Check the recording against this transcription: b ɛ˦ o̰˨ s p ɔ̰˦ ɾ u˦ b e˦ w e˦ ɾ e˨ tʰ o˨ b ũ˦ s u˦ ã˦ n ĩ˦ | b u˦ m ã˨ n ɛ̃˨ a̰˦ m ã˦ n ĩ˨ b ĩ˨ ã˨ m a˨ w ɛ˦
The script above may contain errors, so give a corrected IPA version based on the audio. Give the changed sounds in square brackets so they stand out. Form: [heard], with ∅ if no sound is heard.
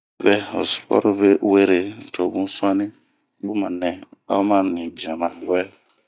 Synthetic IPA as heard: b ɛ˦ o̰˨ s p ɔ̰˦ ɾ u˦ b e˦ w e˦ ɾ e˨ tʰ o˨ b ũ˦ s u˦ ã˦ n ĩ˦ | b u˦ m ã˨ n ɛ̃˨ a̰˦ m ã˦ n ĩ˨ b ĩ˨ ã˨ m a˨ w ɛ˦